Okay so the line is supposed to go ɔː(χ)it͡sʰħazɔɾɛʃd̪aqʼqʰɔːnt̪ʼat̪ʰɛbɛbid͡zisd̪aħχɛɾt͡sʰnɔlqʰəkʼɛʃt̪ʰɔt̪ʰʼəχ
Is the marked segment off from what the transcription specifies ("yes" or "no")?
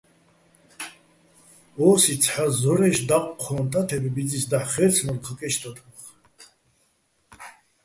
yes